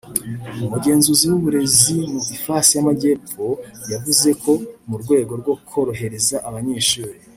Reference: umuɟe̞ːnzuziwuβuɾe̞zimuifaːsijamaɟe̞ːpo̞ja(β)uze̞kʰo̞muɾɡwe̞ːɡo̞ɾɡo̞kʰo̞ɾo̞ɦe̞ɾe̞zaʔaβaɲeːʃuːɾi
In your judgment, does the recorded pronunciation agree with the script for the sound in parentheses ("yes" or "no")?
no